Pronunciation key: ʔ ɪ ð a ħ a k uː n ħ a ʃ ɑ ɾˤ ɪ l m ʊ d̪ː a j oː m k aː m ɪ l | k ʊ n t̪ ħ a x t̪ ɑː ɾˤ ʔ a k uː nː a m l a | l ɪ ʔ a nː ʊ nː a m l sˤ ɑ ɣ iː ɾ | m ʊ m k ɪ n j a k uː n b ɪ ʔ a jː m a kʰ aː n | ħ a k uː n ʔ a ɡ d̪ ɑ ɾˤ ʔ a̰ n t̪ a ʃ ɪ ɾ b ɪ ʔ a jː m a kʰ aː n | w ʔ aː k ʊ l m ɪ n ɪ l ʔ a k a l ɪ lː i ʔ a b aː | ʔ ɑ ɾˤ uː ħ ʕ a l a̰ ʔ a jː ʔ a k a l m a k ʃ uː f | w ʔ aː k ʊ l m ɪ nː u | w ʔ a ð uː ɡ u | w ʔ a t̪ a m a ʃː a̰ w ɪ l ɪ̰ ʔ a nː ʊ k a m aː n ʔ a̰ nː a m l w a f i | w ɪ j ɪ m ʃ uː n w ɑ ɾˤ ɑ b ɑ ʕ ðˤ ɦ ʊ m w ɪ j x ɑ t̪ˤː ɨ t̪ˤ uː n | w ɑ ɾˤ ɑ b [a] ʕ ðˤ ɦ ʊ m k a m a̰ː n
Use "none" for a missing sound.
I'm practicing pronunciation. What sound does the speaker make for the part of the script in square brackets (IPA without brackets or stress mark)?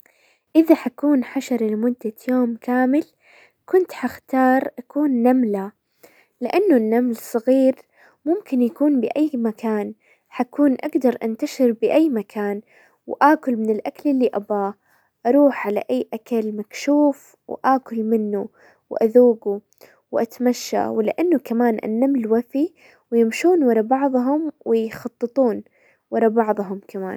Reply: ɑ